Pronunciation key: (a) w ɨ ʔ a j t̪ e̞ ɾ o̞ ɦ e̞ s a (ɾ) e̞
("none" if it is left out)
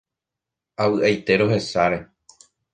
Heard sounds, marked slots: a, ɾ

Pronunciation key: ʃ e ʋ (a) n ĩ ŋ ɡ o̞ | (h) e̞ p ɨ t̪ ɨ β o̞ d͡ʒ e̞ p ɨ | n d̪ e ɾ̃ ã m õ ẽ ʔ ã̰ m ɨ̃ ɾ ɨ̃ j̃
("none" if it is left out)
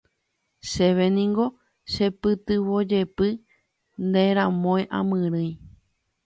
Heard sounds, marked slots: e, ʃ

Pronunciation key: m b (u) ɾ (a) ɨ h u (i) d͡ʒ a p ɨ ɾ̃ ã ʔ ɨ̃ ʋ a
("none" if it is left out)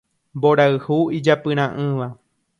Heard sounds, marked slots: o, a, i

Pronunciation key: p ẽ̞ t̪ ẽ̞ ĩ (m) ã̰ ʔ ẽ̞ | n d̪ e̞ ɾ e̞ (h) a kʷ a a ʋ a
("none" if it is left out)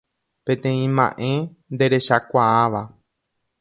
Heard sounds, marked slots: m, ʃ

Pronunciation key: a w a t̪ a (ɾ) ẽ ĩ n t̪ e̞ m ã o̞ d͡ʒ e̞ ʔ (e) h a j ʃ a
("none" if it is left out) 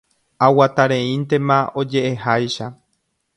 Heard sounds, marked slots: ɾ, e

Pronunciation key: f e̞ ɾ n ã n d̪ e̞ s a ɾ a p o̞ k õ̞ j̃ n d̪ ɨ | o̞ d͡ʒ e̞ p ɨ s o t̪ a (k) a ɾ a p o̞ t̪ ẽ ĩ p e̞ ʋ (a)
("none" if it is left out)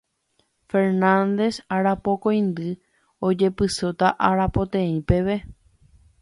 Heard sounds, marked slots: ʔ, e

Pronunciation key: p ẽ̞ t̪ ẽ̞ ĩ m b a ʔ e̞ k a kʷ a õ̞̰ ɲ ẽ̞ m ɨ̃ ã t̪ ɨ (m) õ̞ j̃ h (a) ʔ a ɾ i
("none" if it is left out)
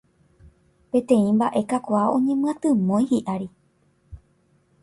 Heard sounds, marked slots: m, i

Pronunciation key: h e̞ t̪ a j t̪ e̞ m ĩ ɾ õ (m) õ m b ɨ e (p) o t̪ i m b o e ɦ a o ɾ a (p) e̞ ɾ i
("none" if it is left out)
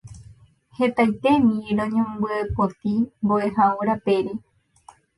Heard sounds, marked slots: ɲ, p, p

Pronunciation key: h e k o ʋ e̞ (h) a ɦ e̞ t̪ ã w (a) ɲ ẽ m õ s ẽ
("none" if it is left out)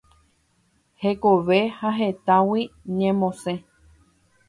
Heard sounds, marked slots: h, i

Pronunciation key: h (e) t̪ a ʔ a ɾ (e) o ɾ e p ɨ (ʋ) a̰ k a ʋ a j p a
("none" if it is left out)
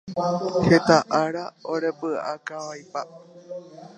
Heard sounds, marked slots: e, a, none

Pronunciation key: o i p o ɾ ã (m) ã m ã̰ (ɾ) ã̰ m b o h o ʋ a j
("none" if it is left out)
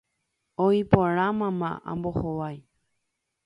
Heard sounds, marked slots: m, none

